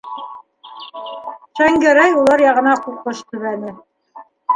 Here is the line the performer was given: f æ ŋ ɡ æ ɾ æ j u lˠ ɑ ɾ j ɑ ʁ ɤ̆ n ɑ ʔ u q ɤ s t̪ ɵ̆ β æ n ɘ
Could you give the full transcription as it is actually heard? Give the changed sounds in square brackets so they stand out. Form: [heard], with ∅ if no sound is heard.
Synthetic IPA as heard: [ʃ] æ ŋ ɡ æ ɾ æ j u lˠ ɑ ɾ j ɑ ʁ ɤ̆ n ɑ [q] u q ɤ [ʃ] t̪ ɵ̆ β æ n ɘ